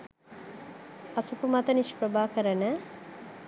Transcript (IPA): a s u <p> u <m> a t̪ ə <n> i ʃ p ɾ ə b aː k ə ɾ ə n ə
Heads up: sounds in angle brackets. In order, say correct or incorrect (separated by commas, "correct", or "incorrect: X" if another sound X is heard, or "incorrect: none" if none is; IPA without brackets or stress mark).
correct, correct, correct